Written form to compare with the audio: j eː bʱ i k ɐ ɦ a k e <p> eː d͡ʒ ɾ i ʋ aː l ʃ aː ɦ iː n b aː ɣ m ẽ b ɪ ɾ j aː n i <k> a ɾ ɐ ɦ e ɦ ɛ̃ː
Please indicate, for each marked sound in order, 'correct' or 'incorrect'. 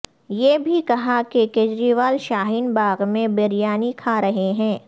incorrect: k, incorrect: kʰ

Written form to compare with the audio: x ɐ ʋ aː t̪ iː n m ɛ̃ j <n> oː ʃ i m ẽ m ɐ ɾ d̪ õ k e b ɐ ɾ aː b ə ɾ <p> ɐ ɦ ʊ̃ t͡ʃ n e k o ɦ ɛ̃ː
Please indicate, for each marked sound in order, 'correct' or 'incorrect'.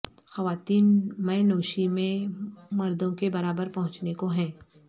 correct, correct

